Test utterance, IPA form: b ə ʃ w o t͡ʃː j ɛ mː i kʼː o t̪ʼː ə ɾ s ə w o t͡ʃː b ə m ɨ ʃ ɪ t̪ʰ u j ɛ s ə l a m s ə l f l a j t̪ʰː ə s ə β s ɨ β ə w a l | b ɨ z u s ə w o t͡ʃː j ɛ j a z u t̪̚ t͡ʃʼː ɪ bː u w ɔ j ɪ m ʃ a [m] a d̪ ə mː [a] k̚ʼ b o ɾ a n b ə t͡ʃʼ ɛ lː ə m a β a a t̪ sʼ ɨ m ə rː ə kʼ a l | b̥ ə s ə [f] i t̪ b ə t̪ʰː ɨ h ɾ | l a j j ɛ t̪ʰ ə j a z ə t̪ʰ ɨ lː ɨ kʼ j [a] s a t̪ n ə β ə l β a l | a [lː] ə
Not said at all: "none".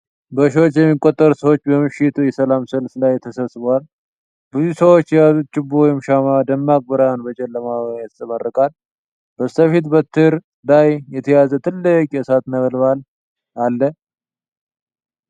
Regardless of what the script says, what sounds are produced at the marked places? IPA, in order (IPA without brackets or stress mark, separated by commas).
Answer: m, a, f, ɛ, lː